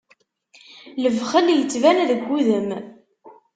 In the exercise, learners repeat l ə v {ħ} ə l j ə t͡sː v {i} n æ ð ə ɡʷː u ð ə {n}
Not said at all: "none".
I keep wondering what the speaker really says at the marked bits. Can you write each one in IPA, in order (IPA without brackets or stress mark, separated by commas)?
χ, æ, m